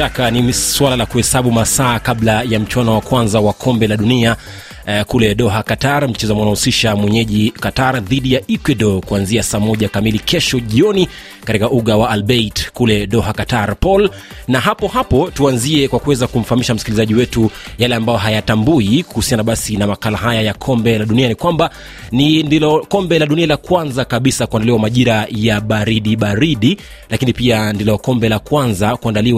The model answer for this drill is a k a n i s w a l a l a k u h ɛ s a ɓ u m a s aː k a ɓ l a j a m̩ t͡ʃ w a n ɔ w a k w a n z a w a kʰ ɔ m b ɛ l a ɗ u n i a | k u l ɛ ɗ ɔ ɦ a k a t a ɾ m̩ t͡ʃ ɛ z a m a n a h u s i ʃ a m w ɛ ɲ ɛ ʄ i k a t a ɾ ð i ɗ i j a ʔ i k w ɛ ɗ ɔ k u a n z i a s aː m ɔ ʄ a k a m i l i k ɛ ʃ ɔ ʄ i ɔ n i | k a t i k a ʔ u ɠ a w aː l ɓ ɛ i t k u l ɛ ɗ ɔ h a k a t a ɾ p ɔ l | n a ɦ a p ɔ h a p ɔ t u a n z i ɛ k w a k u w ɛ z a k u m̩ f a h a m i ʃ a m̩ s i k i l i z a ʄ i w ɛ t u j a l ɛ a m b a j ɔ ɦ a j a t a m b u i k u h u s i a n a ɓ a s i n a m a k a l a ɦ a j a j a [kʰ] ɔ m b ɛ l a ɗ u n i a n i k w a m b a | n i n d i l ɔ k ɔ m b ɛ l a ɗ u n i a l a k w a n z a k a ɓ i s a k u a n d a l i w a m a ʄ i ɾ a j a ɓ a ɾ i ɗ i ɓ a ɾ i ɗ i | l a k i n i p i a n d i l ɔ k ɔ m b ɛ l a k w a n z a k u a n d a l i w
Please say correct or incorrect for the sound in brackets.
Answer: correct